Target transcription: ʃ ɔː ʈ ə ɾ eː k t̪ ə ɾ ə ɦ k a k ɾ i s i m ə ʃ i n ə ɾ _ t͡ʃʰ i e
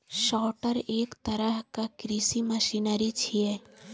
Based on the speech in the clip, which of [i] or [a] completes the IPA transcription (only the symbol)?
i